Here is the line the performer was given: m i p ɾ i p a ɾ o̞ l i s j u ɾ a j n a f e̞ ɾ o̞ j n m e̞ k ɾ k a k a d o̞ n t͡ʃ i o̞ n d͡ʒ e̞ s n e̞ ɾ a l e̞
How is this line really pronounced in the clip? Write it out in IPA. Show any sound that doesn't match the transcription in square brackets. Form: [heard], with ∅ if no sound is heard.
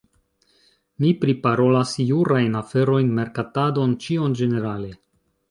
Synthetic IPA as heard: m i p ɾ i p a ɾ o̞ l [a] s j u ɾ a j n a f e̞ ɾ o̞ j n m e̞ [∅] ɾ k a [t] a d o̞ n t͡ʃ i o̞ n d͡ʒ e̞ [∅] n e̞ ɾ a l e̞